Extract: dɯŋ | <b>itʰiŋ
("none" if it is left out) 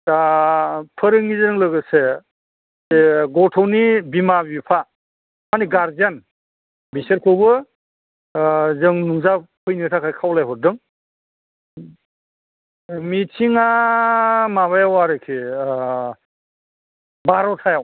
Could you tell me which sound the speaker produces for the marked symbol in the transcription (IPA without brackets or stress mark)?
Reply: m